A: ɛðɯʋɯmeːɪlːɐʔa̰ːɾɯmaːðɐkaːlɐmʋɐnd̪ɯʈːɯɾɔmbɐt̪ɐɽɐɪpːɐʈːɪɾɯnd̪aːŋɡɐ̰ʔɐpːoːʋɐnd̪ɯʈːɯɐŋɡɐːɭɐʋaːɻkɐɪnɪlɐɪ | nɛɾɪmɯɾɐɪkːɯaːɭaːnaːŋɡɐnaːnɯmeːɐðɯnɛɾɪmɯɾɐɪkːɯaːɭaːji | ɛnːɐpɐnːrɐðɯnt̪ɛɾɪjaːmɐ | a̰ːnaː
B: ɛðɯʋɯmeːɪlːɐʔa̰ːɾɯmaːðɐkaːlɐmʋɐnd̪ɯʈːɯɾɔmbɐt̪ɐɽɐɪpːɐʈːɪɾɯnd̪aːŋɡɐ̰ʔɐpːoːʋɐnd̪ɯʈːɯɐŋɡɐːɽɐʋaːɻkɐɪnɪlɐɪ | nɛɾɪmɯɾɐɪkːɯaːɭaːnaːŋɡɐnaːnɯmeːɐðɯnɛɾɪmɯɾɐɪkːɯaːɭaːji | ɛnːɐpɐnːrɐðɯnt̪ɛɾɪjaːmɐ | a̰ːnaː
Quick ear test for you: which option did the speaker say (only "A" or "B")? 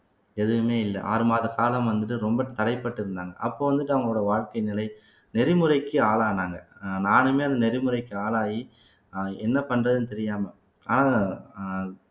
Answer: B